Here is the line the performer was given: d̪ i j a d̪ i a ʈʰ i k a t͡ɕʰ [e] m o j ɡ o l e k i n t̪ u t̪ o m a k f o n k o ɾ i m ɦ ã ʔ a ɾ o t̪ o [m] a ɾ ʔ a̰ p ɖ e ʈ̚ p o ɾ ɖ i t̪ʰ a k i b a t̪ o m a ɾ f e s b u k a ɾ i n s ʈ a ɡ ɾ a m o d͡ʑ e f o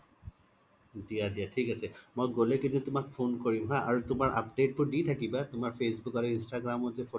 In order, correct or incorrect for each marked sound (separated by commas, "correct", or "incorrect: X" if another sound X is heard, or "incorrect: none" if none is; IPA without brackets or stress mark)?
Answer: correct, correct